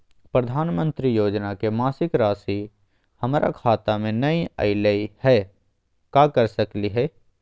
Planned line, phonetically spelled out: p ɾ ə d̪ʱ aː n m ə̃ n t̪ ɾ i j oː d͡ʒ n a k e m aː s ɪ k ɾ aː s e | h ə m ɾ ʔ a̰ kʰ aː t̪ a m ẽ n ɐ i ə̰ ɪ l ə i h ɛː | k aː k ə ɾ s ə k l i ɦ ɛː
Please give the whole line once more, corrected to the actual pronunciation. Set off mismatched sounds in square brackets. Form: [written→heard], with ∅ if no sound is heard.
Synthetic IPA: p ɾ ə d̪ʱ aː n m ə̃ n t̪ ɾ i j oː d͡ʒ n a k e m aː s ɪ k ɾ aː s [e→i] | h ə m ɾ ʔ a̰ kʰ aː t̪ a m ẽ n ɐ i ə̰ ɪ l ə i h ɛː | k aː k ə ɾ s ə k l i ɦ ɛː

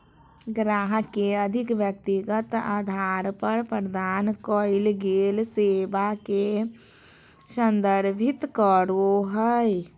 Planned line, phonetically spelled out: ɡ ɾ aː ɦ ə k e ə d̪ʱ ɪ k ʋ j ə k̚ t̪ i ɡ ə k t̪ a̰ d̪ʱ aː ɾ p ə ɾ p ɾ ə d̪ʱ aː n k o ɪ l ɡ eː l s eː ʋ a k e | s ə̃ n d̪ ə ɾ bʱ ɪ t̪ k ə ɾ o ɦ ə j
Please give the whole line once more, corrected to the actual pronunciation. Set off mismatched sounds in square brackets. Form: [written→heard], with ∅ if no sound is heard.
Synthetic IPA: ɡ ɾ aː ɦ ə k e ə d̪ʱ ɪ k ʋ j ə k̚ t̪ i ɡ ə [k→∅] t̪ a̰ d̪ʱ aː ɾ p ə ɾ p ɾ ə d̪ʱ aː n k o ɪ l ɡ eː l s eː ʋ a k e | s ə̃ n d̪ ə ɾ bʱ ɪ t̪ k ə ɾ o ɦ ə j

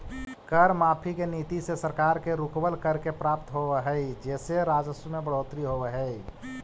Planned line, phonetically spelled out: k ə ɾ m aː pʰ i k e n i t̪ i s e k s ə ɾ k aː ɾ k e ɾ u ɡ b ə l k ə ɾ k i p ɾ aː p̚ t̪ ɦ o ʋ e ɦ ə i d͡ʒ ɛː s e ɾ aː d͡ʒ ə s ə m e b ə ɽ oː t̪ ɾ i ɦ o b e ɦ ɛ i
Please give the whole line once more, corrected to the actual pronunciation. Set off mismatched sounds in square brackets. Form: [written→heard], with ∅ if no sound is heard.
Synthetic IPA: k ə ɾ m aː pʰ i k e n i t̪ i s e [k→∅] s ə ɾ k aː ɾ k e ɾ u [ɡ→k] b ə l k ə ɾ k [i→e] p ɾ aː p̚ t̪ ɦ o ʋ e ɦ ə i d͡ʒ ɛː s e ɾ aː d͡ʒ ə s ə m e b ə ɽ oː t̪ ɾ i ɦ o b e ɦ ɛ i

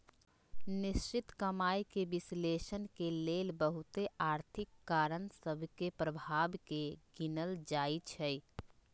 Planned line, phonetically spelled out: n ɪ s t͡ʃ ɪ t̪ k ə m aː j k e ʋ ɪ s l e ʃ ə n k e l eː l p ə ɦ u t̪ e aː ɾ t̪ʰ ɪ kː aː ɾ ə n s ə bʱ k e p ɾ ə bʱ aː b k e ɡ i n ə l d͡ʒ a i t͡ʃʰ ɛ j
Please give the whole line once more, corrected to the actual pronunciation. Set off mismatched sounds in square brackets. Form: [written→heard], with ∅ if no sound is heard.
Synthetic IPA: n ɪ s t͡ʃ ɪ t̪ k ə m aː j k e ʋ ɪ s l e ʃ ə n k e l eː l [p→b] ə ɦ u t̪ e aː ɾ t̪ʰ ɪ kː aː ɾ ə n s ə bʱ k e p ɾ ə bʱ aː b k e ɡ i n ə l d͡ʒ a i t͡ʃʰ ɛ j

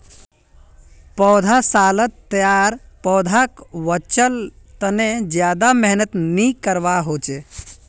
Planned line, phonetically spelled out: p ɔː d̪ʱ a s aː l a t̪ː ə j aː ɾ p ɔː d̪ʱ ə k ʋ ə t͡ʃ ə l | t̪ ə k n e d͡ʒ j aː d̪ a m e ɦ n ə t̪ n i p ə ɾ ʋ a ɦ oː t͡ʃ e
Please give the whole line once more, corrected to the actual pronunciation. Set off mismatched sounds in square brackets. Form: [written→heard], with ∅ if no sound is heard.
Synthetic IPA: p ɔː d̪ʱ a s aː l [a→ə] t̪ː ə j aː ɾ p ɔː d̪ʱ [ə→a] k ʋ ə t͡ʃ ə l | t̪ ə [k→∅] n e d͡ʒ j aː d̪ a m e ɦ n ə t̪ n i [p→k] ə ɾ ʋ a ɦ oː t͡ʃ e

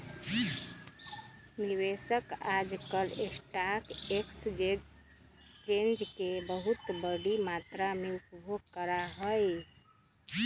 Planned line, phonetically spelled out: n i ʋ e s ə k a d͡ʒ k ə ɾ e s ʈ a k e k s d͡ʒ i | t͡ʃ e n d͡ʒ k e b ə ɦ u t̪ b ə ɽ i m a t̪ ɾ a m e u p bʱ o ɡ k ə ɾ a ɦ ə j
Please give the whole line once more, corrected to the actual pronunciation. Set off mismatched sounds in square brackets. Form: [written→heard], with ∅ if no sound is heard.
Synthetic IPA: n i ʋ e s ə k a d͡ʒ k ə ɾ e s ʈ a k e k s d͡ʒ [i→e] | t͡ʃ e n d͡ʒ k e b ə ɦ u t̪ b ə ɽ i m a t̪ ɾ a m e u p bʱ o ɡ k ə ɾ a ɦ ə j

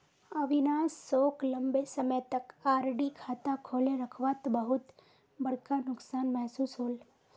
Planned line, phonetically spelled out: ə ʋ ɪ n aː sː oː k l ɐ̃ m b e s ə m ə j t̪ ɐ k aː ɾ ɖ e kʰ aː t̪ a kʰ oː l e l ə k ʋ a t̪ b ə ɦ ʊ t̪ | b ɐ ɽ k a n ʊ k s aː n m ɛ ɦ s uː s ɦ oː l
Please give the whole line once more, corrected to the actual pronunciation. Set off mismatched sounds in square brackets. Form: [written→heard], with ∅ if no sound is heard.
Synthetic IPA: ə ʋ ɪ n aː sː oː k l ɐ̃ m b e s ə m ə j t̪ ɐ k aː ɾ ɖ [e→i] kʰ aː t̪ a kʰ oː l e [l→ɾ] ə [k→kʰ] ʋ a t̪ b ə ɦ ʊ t̪ | b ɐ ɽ k a n ʊ k s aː n m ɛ ɦ s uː s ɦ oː l

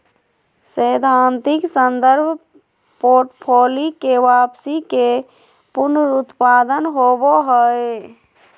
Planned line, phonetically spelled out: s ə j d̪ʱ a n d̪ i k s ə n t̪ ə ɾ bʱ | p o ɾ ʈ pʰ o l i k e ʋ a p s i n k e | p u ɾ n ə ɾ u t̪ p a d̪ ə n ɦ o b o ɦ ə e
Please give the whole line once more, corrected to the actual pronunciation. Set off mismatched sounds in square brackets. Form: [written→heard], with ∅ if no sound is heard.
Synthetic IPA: s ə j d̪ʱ a n [d̪→t̪] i k s ə n [t̪→d̪] ə ɾ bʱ | p o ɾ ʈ pʰ o l i k e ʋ a p s i [n→∅] k e | p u ɾ n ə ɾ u t̪ p a d̪ ə n ɦ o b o ɦ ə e

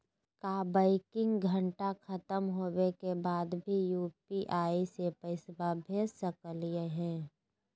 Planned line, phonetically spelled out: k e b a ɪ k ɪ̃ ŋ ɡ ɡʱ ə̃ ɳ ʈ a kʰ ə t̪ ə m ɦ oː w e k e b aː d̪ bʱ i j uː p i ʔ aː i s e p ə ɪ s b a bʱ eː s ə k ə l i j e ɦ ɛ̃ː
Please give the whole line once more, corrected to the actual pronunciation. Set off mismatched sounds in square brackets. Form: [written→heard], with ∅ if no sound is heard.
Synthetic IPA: k [e→a] b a ɪ k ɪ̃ ŋ ɡ ɡʱ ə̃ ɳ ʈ a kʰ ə t̪ ə m ɦ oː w e k e b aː d̪ bʱ i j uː p i ʔ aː i s e p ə ɪ s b a bʱ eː s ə k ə l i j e ɦ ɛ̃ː

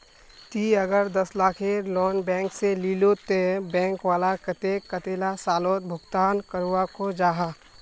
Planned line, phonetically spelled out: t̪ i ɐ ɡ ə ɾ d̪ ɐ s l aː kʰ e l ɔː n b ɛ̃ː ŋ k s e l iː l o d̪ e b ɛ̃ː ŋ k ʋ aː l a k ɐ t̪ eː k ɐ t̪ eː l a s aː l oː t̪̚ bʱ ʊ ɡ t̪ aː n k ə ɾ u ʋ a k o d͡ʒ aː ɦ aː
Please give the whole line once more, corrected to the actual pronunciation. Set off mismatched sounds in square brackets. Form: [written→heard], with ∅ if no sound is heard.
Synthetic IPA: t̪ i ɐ ɡ ə ɾ d̪ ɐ s l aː kʰ e l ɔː n b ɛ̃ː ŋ k s e l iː l o [d̪→t̪] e b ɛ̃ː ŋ k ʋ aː l a k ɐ t̪ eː k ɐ t̪ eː l a s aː l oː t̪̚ bʱ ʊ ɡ t̪ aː n k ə ɾ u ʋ a k o d͡ʒ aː ɦ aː

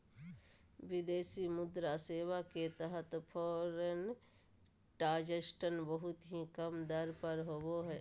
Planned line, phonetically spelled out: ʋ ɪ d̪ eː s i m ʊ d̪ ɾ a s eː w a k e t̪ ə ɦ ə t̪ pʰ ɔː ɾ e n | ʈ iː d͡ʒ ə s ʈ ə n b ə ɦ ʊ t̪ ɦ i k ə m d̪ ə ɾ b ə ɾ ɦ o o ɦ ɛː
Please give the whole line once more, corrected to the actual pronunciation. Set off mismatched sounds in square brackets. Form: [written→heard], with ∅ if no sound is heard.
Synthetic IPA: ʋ ɪ d̪ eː s i m ʊ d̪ ɾ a s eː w a k e t̪ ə ɦ ə t̪ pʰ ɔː ɾ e n | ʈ [iː→aː] d͡ʒ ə s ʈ ə n b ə ɦ ʊ t̪ ɦ i k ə m d̪ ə ɾ [b→p] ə ɾ ɦ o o ɦ ɛː

